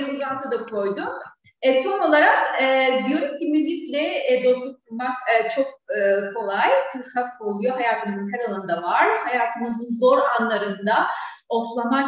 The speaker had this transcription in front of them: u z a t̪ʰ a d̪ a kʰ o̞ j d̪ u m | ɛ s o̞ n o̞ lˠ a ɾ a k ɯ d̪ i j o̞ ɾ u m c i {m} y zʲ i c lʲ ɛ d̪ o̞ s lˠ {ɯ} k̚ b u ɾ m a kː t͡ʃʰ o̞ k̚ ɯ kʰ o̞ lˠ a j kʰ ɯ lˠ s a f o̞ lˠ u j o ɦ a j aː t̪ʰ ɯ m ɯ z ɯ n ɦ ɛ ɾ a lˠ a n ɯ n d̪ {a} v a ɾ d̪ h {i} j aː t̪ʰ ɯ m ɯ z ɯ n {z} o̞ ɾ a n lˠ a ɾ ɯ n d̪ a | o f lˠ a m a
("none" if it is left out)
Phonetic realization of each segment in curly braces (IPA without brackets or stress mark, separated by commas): m, u, a, a, z